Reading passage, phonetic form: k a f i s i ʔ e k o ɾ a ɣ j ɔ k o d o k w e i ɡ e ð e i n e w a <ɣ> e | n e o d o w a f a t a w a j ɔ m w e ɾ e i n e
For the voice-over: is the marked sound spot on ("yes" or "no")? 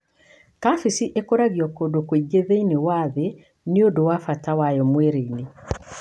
no